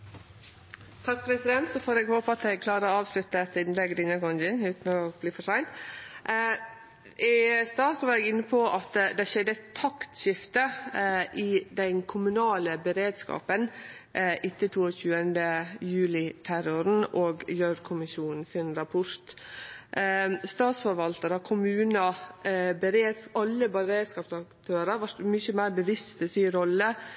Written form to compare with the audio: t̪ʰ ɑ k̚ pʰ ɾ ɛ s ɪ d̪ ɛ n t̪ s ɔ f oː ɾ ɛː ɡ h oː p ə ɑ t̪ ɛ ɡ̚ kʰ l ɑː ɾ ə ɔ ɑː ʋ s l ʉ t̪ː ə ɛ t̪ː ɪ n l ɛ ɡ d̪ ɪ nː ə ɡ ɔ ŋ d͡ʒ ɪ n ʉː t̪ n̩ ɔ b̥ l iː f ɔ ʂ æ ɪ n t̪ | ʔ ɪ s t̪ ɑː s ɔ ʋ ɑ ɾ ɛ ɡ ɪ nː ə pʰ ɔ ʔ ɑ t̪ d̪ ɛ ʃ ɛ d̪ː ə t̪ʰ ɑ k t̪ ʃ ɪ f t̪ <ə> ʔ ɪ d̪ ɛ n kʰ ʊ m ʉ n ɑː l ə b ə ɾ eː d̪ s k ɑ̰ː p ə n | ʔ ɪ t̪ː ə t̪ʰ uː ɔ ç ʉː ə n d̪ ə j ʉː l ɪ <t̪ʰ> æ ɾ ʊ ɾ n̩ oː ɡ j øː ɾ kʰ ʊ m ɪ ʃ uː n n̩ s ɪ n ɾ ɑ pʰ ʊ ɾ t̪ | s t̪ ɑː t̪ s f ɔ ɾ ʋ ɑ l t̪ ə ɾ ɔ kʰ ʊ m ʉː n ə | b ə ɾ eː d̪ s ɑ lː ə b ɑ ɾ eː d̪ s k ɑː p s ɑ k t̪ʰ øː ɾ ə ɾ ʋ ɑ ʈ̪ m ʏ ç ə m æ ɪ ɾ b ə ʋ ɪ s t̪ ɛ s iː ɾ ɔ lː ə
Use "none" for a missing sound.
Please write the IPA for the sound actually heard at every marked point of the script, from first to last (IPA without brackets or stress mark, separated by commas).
ə, t̪ʰ